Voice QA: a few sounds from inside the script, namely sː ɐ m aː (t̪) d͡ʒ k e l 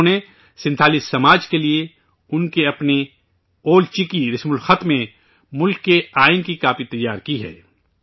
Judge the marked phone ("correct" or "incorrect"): incorrect